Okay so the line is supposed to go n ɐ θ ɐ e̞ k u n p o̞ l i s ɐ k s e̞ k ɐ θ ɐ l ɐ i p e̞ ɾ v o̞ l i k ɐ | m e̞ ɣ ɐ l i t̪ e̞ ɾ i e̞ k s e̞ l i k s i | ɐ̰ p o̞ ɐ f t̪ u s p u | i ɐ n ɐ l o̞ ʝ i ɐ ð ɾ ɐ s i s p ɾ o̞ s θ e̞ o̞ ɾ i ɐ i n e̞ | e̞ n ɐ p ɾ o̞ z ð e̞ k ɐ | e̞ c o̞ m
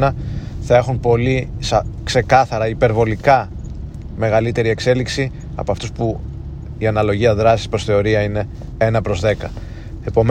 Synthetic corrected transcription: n ɐ θ ɐ e̞ x u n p o̞ l i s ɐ k s e̞ k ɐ θ ɐ ɾ ɐ i p e̞ ɾ v o̞ l i k ɐ | m e̞ ɣ ɐ l i t̪ e̞ ɾ i e̞ k s e̞ l i k s i | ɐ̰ p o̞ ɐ f t̪ u s p u | i ɐ n ɐ l o̞ ʝ i ɐ ð ɾ ɐ s i s p ɾ o̞ s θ e̞ o̞ ɾ i ɐ i n e̞ | e̞ n ɐ p ɾ o̞ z ð e̞ k ɐ | e̞ p o̞ m